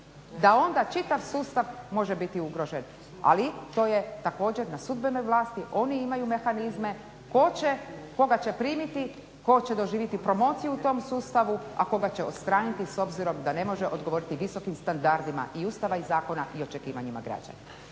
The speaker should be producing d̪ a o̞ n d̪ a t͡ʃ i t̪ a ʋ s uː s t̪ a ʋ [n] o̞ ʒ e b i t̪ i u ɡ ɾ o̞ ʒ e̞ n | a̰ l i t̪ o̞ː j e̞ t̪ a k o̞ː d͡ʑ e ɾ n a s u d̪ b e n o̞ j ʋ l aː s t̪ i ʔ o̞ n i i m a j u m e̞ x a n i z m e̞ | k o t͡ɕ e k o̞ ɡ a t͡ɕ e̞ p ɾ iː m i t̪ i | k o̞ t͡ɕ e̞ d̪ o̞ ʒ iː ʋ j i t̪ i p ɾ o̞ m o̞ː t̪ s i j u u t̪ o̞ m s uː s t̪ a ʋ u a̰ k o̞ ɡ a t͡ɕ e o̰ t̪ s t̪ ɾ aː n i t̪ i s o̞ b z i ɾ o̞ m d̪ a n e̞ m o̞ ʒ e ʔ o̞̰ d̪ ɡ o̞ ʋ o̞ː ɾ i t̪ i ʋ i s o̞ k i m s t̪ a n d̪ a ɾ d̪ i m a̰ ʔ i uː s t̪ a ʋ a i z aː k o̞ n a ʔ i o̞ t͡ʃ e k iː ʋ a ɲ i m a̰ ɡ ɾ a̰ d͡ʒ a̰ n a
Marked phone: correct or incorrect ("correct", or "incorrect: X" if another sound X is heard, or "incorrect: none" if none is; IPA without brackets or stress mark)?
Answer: incorrect: m